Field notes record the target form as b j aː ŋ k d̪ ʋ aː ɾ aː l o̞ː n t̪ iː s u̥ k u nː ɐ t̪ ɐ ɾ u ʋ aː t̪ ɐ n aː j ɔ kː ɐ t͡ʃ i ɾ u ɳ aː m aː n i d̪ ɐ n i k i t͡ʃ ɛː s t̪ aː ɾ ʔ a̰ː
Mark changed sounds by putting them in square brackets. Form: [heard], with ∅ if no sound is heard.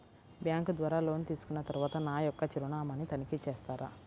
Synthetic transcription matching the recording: b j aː ŋ k d̪ ʋ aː ɾ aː l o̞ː n t̪ iː s u̥ k u nː ɐ t̪ ɐ ɾ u ʋ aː t̪ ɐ n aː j ɔ kː ɐ t͡ʃ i ɾ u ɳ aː m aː n i [t̪] ɐ n i k i t͡ʃ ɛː s t̪ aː ɾ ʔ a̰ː